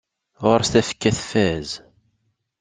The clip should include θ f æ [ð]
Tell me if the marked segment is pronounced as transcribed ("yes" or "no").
no